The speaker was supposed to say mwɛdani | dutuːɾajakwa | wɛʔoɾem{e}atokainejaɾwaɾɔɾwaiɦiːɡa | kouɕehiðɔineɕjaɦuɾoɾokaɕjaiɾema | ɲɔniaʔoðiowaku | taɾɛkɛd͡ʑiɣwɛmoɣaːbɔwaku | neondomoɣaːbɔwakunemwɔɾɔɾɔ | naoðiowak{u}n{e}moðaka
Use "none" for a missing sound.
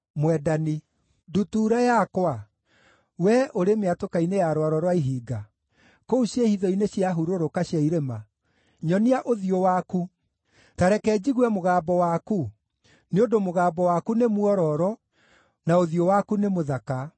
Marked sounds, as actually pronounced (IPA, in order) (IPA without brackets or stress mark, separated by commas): e, u, e